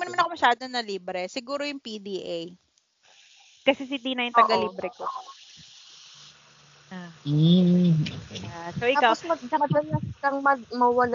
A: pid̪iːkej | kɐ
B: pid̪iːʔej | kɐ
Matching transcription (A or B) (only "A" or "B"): B